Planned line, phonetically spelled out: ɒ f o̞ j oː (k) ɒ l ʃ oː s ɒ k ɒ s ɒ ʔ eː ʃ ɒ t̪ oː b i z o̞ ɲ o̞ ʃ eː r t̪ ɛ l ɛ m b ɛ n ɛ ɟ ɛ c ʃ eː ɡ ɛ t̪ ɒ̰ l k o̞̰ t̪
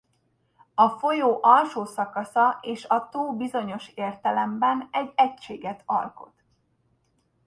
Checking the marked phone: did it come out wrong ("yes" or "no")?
yes